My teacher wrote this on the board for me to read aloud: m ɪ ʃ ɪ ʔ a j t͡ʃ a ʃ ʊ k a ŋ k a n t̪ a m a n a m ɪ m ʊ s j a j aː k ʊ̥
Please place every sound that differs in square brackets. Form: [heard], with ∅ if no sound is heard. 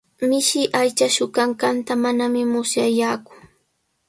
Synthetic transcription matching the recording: m ɪ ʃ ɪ ʔ a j t͡ʃ a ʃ ʊ k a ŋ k a n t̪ a m a n a m ɪ m ʊ s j a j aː k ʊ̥